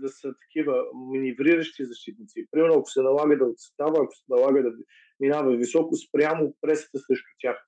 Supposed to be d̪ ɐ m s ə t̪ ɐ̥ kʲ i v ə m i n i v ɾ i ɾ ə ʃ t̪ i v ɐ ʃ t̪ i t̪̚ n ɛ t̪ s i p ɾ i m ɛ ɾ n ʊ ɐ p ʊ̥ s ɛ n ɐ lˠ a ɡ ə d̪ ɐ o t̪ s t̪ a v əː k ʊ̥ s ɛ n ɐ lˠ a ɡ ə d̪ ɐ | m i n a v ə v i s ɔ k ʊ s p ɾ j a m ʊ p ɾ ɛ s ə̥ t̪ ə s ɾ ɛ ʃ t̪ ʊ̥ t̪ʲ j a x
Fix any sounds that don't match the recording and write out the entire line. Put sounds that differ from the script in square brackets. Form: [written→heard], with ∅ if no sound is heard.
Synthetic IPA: d̪ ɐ [m→∅] s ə t̪ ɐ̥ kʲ i v ə m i n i v ɾ i ɾ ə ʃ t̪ i [v→z] ɐ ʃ t̪ i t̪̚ n [ɛ→i] t̪ s i p ɾ i m ɛ ɾ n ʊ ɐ [p→k] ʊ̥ s ɛ n ɐ lˠ a ɡ ə d̪ ɐ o t̪ s t̪ a v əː k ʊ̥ s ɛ n ɐ lˠ a ɡ ə d̪ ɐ | m i n a v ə v i s ɔ k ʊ s p ɾ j a m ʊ p ɾ ɛ s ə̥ t̪ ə s ɾ ɛ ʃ t̪ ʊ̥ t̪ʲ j a x